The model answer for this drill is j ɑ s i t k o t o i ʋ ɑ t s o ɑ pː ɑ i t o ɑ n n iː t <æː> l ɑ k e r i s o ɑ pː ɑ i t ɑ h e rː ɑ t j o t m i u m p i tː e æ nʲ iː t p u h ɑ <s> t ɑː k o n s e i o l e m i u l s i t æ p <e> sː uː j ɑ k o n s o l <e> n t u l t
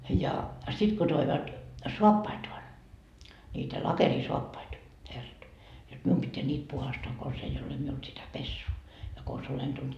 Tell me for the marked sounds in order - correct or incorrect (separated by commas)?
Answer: incorrect, correct, correct, correct